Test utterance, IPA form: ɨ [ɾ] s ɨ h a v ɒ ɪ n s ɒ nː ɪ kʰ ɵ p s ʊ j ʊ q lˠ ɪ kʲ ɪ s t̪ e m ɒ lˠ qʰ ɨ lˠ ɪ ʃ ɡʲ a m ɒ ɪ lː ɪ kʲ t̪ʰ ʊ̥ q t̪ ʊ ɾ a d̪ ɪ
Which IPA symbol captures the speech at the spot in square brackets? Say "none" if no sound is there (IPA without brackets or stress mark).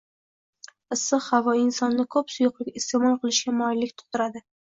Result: none